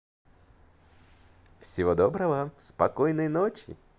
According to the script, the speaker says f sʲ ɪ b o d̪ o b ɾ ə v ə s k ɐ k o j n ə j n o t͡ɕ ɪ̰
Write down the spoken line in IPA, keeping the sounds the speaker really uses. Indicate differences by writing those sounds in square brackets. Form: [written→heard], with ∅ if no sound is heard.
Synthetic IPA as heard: f sʲ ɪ [b→v] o d̪ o b ɾ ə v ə s [k→p] ɐ k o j n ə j n o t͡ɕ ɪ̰